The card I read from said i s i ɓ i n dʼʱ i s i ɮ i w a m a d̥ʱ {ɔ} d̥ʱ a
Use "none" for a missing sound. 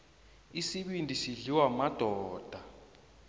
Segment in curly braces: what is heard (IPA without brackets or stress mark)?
ɔː